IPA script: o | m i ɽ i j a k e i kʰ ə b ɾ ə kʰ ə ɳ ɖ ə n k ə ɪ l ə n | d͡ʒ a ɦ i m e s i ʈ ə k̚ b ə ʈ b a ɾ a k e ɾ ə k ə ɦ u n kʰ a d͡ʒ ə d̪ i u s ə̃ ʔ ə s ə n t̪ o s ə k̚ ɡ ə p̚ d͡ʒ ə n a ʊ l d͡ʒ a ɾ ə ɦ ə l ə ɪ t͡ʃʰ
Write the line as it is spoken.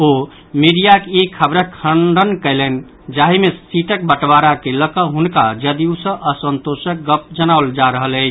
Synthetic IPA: o | m i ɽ i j a k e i kʰ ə b ɾ ə kʰ ə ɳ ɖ ə n k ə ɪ l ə n | d͡ʒ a ɦ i m e s i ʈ ə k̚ b ə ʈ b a ɾ a k e l ə k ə ɦ u n k a d͡ʒ ə d̪ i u s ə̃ ʔ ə s ə n t̪ o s ə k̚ ɡ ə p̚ d͡ʒ ə n a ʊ l d͡ʒ a ɾ ə ɦ ə l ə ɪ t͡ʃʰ

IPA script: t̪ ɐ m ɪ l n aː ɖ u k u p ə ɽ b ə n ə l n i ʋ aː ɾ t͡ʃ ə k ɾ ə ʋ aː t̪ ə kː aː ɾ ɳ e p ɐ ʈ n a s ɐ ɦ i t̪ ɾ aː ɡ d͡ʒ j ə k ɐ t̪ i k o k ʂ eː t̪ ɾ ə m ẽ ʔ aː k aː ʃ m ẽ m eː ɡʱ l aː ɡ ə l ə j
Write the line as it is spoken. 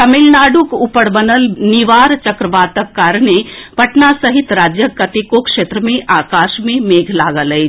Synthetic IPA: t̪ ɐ m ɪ l n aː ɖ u k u p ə ɽ b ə n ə l n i ʋ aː ɾ t͡ʃ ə k ɾ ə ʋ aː t̪ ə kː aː ɾ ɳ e p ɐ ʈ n a s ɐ ɦ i t̪ ɾ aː d͡ʒ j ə k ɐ t̪ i k o k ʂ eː t̪ ɾ ə m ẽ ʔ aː k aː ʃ m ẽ m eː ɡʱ l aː ɡ ə l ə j

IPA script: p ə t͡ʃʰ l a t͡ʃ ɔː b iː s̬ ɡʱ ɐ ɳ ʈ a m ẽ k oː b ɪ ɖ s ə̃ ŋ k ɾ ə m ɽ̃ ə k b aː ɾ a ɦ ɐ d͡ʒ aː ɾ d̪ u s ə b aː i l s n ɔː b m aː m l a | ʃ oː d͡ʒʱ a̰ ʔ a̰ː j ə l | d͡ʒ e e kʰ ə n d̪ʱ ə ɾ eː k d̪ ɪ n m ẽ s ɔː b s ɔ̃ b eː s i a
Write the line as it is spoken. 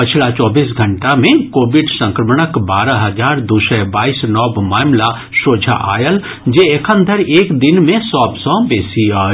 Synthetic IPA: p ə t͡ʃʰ l a t͡ʃ ɔː b iː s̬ ɡʱ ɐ ɳ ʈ a m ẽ k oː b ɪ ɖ s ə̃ ŋ k ɾ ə m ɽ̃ ə k b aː ɾ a ɦ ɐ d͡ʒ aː ɾ d̪ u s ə b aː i s n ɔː b m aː m l a | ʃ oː d͡ʒʱ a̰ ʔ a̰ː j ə l | d͡ʒ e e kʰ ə n d̪ʱ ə ɾ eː k d̪ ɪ n m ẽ s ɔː b s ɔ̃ b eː s i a

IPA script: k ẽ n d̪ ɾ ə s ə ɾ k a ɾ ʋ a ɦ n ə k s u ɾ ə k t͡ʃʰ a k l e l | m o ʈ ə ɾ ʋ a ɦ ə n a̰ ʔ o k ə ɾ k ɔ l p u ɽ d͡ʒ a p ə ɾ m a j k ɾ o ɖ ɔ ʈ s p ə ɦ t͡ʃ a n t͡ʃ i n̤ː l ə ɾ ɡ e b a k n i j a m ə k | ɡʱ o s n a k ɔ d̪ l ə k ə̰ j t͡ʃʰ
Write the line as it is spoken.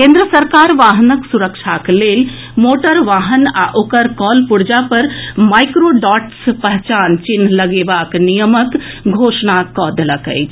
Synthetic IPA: k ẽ n d̪ ɾ ə s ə ɾ k a ɾ ʋ a ɦ n ə k s u ɾ ə k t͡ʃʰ a k l e l | m o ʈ ə ɾ ʋ a ɦ ə n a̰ ʔ o k ə ɾ k ɔ l p u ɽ d͡ʒ a p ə ɾ m a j k ɾ o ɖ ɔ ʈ s p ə ɦ t͡ʃ a n t͡ʃ i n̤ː l ə ɡ e b a k n i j ə m ə k | ɡʱ o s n a k ɔ d̪ l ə k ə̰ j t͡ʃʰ

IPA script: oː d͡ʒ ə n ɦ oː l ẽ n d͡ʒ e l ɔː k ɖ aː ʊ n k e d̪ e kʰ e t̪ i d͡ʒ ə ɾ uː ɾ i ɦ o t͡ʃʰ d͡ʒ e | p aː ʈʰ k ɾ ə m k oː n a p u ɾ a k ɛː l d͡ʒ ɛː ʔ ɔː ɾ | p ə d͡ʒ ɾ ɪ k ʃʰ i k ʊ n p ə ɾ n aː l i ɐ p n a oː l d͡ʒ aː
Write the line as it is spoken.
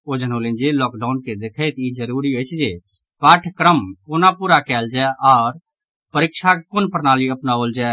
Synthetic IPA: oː d͡ʒ ə n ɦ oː l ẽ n d͡ʒ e l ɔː k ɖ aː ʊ n k e d̪ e kʰ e t̪ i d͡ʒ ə ɾ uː ɾ i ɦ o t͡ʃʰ d͡ʒ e | p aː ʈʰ k ɾ ə m k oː n a p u ɾ a k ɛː l d͡ʒ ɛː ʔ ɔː ɾ | p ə ɾ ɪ k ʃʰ a k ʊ n p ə ɾ n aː l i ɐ p n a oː l d͡ʒ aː

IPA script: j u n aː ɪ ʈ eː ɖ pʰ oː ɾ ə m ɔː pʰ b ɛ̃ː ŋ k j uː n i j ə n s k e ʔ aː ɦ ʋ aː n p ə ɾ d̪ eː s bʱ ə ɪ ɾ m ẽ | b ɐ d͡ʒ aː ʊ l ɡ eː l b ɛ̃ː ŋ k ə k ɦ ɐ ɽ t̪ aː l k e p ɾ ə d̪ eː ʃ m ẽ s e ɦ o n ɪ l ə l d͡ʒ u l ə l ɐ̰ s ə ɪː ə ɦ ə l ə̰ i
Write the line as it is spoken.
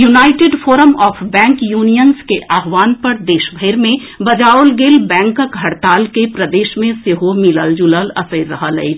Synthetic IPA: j u n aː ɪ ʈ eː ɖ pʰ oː ɾ ə m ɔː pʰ b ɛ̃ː ŋ k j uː n i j ə n s k e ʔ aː ɦ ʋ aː n p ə ɾ d̪ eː ʃ bʱ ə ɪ ɾ m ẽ | b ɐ d͡ʒ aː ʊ l ɡ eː l b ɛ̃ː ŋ k ə k ɦ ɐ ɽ t̪ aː l k e p ɾ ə d̪ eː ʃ m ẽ s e ɦ o m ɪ l ə l d͡ʒ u l ə l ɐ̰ s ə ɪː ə ɦ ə l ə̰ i

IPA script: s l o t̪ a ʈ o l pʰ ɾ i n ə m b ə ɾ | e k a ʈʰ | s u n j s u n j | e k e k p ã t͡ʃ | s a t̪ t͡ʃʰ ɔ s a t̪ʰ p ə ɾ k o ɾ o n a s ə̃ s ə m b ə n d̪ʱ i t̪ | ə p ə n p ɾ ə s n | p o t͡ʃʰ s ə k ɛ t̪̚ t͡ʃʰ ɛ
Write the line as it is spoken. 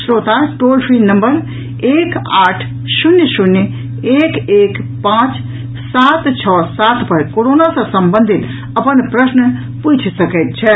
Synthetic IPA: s ɾ o t̪ a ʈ o l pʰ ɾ i n ə m b ə ɾ | e k a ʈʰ | s u n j s u n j | e k e k p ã t͡ʃ | s a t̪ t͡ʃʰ ɔ s a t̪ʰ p ə ɾ k o ɾ o n a s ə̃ s ə m b ə n d̪ʱ i t̪ | ə p ə n p ɾ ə s n | p u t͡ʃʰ s ə k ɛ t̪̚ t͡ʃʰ ɛ

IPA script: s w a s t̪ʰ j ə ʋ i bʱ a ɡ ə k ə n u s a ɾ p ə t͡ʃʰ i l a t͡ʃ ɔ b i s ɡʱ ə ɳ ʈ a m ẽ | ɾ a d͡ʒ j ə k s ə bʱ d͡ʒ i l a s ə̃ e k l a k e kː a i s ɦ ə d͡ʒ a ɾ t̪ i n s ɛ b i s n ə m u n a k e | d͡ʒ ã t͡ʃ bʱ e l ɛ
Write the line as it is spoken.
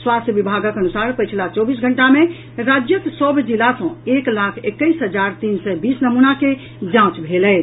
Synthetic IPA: s w a s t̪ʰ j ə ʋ i bʱ a ɡ ə k ə n u s a ɾ p ə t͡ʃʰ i l a t͡ʃ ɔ b i s ɡʱ ə ɳ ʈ a m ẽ | ɾ a d͡ʒ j ə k s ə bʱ d͡ʒ i l a s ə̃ e k l a kʰ e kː ə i s ɦ ə d͡ʒ a ɾ t̪ i n s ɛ b i s n ə m u n a k e | d͡ʒ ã t͡ʃ bʱ e l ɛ

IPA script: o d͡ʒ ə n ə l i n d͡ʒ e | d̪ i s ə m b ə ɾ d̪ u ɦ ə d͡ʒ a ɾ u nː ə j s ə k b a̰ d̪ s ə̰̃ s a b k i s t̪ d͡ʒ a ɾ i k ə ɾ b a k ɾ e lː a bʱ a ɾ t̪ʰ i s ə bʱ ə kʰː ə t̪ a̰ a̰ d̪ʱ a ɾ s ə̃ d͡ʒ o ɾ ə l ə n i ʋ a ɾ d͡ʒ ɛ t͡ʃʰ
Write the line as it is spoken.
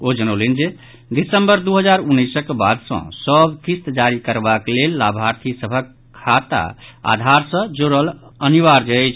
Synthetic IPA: o d͡ʒ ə n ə l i n d͡ʒ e | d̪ i s ə m b ə ɾ d̪ u ɦ ə d͡ʒ a ɾ u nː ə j s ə k b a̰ d̪ s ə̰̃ s ə b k i s t̪ d͡ʒ a ɾ i k ə ɾ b a k l e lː a bʱ a ɾ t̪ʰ i s ə bʱ ə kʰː a t̪ a̰ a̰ d̪ʱ a ɾ s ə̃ d͡ʒ o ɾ ə l ə n i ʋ a ɾ d͡ʒ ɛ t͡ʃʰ

